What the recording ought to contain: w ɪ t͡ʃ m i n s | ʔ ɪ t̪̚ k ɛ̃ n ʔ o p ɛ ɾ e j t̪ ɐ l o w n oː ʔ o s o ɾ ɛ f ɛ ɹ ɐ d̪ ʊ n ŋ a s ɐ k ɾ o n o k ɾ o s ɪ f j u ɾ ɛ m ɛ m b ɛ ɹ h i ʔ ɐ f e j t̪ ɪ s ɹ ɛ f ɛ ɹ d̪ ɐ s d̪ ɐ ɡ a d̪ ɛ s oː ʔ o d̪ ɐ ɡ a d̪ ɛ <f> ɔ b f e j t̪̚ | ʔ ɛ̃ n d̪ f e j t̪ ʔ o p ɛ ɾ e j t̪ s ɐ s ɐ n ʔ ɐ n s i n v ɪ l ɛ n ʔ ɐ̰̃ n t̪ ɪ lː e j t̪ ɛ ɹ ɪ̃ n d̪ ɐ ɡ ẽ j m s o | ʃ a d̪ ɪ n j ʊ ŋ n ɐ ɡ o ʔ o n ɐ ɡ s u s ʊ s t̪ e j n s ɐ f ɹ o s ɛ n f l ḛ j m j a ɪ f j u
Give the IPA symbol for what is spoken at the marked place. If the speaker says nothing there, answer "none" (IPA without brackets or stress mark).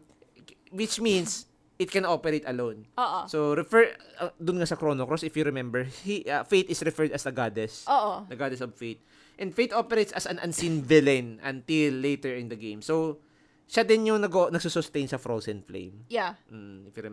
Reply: s